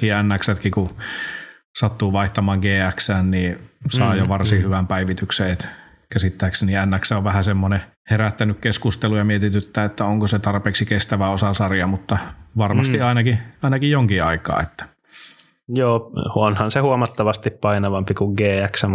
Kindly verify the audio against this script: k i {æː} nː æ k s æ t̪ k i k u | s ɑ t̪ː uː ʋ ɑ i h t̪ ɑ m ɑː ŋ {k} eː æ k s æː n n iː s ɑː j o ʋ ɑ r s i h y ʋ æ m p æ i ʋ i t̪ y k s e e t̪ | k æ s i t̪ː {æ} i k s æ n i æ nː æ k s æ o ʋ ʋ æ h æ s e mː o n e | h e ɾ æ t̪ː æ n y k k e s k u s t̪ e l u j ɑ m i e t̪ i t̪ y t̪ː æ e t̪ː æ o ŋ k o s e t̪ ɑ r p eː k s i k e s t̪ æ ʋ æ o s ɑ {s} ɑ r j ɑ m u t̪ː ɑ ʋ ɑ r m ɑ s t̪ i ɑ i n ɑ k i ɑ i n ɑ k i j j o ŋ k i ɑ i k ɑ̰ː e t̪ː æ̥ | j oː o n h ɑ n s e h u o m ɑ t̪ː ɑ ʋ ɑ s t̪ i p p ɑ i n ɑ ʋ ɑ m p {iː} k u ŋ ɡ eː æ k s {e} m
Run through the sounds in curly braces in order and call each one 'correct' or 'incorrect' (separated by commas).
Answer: incorrect, incorrect, correct, correct, incorrect, incorrect